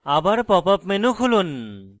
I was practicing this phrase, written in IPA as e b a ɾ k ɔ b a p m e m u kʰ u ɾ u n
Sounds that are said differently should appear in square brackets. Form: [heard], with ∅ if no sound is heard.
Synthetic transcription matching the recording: [a] b a ɾ [p] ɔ [p] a p m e [n] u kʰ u [l] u n